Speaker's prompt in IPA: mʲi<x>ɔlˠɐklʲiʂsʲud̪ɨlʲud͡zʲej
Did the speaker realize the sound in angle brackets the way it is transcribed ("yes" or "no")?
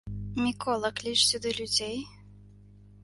no